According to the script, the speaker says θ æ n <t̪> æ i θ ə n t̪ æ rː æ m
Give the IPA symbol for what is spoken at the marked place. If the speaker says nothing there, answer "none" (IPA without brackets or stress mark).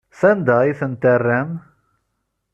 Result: d̪